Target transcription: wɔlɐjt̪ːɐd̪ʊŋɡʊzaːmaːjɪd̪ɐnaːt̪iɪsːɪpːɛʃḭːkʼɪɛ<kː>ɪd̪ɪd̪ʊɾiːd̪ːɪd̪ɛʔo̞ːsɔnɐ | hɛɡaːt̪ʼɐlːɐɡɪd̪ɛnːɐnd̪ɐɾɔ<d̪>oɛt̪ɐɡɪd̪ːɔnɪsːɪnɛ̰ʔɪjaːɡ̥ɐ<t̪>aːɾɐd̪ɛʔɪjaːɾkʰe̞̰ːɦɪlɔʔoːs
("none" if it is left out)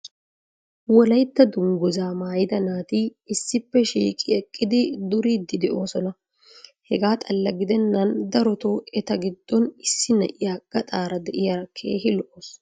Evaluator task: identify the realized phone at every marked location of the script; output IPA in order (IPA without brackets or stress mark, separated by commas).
kʼː, t̪, t̪ʼ